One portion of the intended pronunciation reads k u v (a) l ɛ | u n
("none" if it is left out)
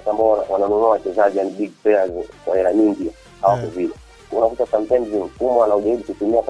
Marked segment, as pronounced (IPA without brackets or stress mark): i